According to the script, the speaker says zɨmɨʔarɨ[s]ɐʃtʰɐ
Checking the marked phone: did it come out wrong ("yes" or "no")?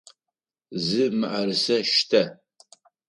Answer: no